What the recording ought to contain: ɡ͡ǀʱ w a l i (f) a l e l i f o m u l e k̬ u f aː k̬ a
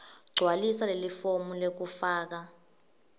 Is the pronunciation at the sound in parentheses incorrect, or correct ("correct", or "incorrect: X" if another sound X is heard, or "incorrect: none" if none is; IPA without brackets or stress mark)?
incorrect: s